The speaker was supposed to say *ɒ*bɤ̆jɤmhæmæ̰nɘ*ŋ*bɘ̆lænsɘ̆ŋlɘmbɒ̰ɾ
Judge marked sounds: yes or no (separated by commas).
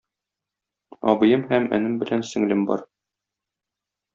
yes, no